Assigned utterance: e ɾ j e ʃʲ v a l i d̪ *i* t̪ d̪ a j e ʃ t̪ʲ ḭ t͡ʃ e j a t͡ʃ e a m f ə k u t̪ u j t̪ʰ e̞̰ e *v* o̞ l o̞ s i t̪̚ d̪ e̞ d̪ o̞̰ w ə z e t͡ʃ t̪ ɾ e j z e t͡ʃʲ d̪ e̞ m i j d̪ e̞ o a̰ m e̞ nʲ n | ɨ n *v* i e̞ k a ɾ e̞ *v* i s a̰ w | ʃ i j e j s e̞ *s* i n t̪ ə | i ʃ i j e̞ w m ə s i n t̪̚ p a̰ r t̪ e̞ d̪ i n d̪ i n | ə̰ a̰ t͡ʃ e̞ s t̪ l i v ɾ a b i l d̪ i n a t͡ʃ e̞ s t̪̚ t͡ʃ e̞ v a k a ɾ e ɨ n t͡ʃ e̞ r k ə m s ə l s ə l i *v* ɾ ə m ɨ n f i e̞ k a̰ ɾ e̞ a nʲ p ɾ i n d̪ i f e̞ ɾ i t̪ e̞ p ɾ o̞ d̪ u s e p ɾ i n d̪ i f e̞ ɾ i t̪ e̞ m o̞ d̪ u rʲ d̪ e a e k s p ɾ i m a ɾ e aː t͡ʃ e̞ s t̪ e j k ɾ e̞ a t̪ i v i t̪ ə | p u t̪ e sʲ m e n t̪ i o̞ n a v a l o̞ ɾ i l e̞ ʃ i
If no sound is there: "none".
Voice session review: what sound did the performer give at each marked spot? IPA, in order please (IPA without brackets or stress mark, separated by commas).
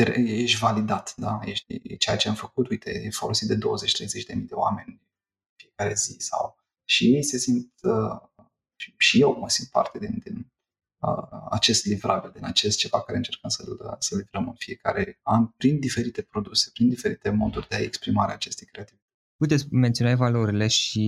a, f, f, z, s, v